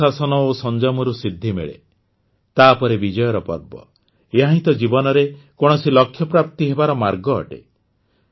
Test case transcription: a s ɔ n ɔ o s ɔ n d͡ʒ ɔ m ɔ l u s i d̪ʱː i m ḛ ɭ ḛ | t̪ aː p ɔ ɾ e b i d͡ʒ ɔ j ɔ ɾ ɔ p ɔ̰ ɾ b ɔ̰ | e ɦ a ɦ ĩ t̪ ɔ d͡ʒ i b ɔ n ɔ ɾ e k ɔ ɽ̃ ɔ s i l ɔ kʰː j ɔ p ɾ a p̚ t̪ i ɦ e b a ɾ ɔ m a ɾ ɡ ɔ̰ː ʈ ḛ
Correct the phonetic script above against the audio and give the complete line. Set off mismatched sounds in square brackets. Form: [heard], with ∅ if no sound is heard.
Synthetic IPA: a s ɔ n ɔ o s ɔ n d͡ʒ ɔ m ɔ [ɾ] u s i d̪ʱː i m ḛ ɭ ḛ | t̪ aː p ɔ ɾ e b i d͡ʒ ɔ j ɔ ɾ ɔ p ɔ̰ ɾ b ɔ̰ | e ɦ a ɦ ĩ t̪ ɔ d͡ʒ i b ɔ n ɔ ɾ e k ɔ ɽ̃ ɔ s i l ɔ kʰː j ɔ p ɾ a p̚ t̪ i ɦ e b a ɾ ɔ m a ɾ ɡ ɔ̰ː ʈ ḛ